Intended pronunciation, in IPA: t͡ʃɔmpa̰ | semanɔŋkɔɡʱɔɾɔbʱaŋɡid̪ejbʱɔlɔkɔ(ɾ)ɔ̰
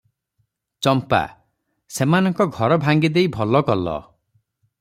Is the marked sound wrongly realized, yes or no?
yes